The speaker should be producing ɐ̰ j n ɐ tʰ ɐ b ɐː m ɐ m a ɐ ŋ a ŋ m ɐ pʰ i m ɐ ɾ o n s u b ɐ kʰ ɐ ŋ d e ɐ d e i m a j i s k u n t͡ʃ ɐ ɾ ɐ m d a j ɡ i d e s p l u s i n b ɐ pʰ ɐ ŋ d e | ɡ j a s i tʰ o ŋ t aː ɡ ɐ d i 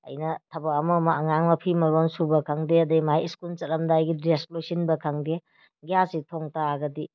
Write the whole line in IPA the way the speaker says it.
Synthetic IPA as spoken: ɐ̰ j n ɐ tʰ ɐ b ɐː m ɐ m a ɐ ŋ a ŋ m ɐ pʰ i m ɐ ɾ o n s u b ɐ kʰ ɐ ŋ d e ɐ d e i m a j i s k u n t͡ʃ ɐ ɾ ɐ m d a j ɡ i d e s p l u s i n b ɐ kʰ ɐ ŋ d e | ɡ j a s i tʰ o ŋ t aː ɡ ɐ d i